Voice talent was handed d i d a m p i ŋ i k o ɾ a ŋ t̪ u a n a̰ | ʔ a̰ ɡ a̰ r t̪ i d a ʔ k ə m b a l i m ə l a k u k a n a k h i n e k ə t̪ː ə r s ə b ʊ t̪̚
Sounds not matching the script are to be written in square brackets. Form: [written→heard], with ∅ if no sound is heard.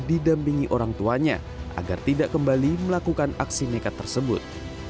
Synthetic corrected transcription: d i d a m p i ŋ i [k→ʔ] o ɾ a ŋ t̪ u a [n→ɲ] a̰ | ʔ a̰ ɡ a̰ r t̪ i d a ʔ k ə m b a l i m ə l a k u k a n a k [h→s] i n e k [ə→a] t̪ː ə r s ə b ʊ t̪̚